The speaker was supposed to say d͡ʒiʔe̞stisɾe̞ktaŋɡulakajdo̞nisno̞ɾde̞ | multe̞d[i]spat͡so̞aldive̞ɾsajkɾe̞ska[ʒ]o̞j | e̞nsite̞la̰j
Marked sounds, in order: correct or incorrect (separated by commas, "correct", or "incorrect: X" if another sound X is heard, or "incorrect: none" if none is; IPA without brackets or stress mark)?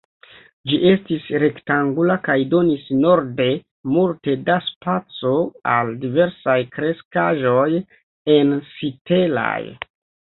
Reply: incorrect: a, correct